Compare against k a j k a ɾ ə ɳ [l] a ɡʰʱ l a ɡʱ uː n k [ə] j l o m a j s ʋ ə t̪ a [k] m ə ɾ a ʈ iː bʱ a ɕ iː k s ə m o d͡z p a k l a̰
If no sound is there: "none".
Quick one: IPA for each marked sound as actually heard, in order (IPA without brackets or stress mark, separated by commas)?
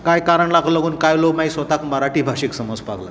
l, a, k